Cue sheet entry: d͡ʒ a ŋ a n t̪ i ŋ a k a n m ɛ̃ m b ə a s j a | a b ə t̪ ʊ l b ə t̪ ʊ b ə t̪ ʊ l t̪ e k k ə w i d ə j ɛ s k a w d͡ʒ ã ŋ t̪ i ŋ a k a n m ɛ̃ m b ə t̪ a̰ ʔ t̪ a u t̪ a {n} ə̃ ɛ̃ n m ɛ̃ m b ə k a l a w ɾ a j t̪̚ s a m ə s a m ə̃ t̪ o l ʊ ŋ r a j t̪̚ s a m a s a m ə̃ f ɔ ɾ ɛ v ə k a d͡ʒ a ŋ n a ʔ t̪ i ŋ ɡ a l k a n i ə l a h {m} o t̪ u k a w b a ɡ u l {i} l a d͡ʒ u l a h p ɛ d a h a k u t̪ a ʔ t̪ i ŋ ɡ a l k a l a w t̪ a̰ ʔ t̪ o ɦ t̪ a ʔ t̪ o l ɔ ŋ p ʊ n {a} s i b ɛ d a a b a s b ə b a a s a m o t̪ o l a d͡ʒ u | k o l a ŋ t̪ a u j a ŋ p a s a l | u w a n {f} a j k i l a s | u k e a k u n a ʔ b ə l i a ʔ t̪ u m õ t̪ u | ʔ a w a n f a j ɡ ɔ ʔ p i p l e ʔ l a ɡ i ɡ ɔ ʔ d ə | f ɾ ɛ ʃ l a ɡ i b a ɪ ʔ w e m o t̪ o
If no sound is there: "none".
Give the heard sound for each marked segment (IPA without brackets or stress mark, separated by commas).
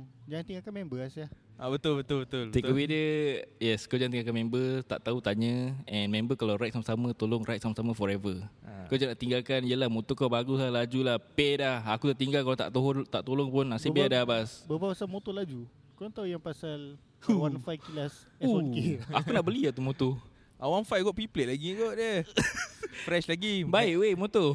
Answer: ɲ, m, a, a, f